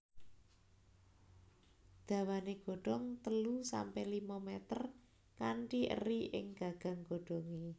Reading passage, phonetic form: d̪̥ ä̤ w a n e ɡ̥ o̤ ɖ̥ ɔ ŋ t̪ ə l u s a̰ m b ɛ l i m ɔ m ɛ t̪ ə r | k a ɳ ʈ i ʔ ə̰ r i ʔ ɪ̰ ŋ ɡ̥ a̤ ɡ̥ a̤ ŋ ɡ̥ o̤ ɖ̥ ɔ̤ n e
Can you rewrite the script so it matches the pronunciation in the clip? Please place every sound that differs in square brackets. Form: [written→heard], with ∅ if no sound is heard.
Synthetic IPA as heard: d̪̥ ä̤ w a n e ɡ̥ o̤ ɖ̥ ɔ ŋ t̪ ə l u s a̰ m [b→p] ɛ l i m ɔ m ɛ t̪ ə r | k a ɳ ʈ i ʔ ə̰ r i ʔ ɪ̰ ŋ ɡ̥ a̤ ɡ̥ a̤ ŋ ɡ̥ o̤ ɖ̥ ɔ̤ [n→ŋ] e